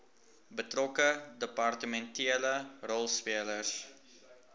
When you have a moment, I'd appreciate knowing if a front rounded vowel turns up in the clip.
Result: no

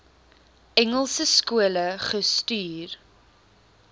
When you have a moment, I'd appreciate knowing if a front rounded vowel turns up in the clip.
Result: yes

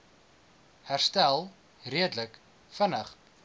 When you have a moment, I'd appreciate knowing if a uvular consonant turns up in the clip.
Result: yes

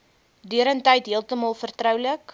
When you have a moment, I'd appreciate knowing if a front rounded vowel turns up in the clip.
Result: yes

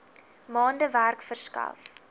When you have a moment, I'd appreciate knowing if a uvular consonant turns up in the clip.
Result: no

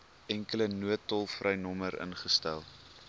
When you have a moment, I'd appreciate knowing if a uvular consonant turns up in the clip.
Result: yes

